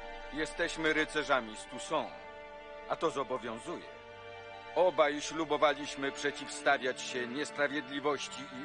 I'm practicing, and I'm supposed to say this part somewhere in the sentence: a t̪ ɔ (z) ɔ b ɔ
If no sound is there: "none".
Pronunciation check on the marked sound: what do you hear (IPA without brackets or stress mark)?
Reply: z